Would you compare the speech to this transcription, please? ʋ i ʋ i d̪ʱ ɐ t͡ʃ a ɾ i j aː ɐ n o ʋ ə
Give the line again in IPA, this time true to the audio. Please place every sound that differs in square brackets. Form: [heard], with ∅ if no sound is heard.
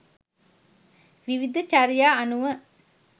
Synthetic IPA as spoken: ʋ i ʋ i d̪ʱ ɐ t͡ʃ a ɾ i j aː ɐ n [u] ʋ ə